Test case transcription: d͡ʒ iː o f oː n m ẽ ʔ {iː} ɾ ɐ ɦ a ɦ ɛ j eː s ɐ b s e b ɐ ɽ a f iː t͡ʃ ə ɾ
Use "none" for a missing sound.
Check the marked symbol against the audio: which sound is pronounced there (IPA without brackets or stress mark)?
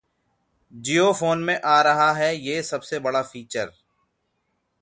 aː